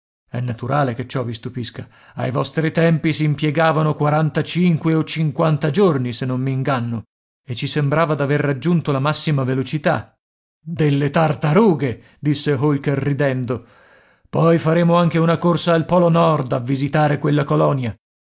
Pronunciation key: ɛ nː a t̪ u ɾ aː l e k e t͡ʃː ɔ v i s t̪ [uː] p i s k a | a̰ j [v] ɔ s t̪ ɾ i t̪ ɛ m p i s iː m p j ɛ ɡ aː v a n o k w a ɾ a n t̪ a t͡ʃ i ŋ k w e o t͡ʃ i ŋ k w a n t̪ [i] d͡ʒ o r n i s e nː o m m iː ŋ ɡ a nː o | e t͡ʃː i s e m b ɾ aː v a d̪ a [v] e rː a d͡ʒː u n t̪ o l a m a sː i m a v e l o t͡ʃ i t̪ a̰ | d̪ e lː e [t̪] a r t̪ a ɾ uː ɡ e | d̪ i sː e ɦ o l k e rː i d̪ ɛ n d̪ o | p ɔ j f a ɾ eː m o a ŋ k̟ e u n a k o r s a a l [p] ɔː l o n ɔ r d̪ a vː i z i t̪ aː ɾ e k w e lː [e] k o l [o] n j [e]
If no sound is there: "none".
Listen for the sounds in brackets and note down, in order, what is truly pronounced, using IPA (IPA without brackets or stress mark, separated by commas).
u, v, a, v, t̪, p, a, ɔ, a